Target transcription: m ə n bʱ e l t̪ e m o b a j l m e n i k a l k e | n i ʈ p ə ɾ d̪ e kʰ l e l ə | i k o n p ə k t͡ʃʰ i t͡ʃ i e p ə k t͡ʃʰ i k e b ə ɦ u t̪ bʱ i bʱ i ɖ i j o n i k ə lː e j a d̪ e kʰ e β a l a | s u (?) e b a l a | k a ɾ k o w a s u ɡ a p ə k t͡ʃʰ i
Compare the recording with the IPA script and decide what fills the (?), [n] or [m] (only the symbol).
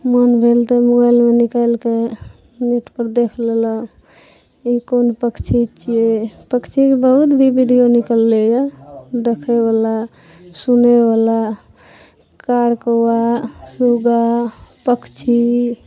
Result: n